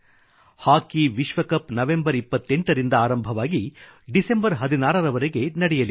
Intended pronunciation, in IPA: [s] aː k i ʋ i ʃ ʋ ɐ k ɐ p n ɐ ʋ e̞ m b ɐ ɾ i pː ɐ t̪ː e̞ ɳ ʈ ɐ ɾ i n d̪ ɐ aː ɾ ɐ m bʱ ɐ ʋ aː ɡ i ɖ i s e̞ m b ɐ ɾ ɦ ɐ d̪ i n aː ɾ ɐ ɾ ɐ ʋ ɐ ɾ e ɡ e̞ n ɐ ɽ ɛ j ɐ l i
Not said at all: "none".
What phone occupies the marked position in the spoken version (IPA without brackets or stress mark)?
h